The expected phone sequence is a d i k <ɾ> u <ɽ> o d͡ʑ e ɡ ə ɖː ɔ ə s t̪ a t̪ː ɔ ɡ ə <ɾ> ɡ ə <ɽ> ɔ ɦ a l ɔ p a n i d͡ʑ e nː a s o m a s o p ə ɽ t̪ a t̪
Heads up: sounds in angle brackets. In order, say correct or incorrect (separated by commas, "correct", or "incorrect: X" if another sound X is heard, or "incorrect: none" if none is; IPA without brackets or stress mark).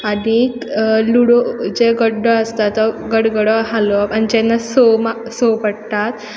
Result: incorrect: l, correct, incorrect: ɽ, correct